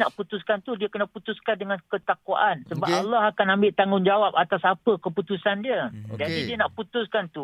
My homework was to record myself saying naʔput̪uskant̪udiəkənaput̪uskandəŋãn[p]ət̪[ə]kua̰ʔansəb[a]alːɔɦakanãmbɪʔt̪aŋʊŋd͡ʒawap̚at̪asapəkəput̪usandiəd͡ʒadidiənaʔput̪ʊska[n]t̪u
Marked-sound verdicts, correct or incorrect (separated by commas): incorrect, incorrect, correct, correct